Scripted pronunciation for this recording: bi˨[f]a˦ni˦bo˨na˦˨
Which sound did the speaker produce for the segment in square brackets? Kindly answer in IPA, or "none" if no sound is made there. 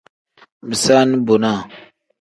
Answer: s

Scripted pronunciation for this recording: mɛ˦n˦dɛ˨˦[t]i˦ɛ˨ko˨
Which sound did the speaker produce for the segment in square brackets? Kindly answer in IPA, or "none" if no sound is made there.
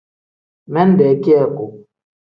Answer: k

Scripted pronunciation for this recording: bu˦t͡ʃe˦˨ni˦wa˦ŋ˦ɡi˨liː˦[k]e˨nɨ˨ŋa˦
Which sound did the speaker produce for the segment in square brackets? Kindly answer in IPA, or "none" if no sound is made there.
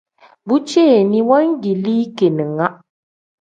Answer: k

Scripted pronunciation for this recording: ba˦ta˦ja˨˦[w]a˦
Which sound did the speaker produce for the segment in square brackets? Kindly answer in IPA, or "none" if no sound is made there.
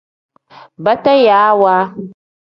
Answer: w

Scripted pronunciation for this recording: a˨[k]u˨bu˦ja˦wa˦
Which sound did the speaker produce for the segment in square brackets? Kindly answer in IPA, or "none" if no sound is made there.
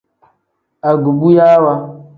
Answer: ɡ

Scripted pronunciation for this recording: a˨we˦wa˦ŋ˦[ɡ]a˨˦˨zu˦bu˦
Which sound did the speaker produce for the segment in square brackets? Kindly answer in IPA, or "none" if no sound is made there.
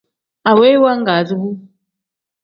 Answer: ɡ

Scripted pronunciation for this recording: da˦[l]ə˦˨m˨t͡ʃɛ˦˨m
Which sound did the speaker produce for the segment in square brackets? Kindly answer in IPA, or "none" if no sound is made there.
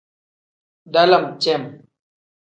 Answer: l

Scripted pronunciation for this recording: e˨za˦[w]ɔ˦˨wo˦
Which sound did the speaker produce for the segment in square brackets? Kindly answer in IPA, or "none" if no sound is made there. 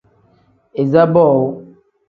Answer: b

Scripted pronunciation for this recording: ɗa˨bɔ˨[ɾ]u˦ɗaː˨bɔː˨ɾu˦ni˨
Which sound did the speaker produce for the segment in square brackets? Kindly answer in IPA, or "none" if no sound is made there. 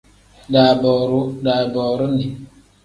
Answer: ɾ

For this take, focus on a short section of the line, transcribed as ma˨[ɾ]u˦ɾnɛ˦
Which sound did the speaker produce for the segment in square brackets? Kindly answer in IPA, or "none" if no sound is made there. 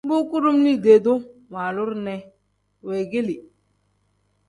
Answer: l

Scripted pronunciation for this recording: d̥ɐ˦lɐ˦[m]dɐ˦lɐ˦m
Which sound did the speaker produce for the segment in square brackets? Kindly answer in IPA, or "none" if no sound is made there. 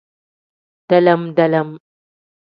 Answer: m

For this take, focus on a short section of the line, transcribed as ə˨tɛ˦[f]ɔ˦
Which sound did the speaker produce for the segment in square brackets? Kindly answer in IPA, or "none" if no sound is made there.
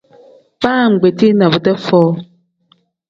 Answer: f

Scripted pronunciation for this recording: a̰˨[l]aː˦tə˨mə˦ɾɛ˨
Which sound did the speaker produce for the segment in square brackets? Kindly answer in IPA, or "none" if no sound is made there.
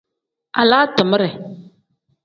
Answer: l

